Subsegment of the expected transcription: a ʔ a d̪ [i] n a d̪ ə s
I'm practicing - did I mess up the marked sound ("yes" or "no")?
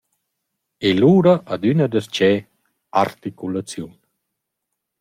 yes